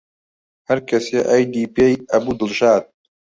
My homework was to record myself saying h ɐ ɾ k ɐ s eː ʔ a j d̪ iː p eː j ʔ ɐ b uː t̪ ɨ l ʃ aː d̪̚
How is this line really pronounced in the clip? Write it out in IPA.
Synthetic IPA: h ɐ ɾ k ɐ s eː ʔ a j d̪ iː p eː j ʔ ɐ b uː d̪ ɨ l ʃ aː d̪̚